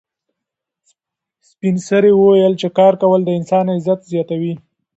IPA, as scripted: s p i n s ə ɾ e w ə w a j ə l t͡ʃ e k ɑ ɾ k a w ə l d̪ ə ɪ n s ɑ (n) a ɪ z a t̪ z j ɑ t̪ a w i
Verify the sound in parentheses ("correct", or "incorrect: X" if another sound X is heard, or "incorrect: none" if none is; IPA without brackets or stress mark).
correct